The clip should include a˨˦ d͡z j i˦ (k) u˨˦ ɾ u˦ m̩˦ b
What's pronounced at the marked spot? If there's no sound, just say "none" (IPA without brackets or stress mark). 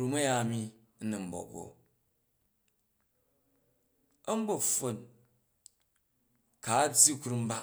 k